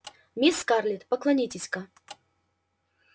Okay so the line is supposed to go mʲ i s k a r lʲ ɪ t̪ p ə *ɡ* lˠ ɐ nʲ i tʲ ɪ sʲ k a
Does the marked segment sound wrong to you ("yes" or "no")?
yes